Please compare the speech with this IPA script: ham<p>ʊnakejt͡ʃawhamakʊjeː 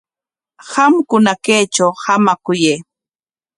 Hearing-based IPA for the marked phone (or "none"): k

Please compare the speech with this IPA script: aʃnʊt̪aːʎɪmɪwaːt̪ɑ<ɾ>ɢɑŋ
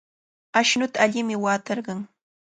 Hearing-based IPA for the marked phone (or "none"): ɾ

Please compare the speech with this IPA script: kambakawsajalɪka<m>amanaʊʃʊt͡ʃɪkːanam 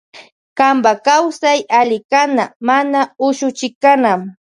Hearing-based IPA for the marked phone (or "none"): n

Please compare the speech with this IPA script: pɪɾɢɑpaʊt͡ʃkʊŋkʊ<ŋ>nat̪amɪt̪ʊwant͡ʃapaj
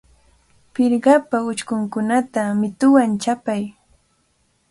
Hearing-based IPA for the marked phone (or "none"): none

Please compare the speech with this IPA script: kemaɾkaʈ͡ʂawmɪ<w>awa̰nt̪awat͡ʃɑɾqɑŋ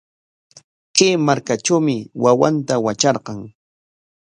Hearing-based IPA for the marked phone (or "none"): w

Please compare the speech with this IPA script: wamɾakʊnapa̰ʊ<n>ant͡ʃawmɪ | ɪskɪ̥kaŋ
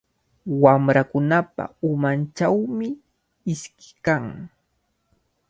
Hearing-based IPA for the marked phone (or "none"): m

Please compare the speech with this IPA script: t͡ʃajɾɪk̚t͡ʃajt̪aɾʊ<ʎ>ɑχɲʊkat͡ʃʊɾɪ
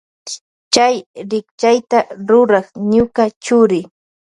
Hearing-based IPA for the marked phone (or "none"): ɾ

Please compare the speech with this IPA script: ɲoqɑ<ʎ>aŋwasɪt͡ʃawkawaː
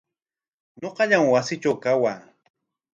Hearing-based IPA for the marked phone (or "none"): ʎ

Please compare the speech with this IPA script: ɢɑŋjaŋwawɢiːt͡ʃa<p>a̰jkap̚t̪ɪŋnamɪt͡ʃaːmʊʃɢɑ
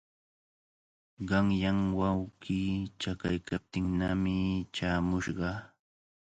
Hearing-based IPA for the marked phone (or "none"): k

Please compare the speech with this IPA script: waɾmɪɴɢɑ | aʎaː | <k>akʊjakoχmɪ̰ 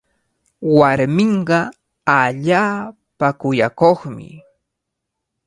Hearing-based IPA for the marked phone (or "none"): p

